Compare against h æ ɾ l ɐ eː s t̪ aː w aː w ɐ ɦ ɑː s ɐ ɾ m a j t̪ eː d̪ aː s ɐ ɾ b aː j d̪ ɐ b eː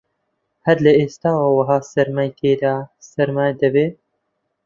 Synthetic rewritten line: h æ ɾ l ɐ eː s t̪ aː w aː w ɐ ɦ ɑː s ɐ ɾ m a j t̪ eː d̪ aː s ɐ ɾ m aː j d̪ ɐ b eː